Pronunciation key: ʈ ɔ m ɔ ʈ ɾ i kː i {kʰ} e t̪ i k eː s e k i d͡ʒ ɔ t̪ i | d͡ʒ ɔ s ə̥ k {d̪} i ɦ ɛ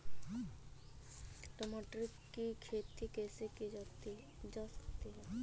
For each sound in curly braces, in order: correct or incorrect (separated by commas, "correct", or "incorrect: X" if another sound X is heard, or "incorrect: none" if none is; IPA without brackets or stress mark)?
correct, incorrect: t̪